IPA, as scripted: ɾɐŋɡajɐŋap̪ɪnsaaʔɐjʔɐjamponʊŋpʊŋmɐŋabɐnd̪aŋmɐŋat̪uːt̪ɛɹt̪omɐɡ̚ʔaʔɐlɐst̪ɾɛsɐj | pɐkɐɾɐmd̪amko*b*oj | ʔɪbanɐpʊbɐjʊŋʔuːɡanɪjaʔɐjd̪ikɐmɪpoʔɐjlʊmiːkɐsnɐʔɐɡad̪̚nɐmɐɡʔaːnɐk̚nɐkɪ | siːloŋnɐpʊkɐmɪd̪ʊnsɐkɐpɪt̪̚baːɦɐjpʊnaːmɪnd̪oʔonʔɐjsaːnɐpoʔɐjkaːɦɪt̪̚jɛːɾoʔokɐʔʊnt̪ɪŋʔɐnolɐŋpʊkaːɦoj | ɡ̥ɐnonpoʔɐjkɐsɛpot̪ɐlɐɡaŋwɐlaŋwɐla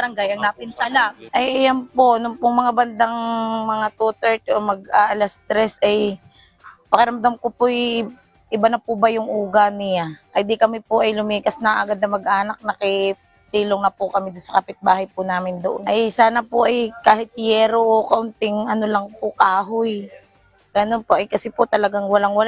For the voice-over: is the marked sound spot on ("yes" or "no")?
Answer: no